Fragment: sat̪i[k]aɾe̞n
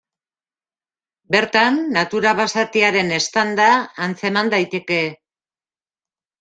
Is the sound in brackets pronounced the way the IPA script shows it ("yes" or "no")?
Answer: no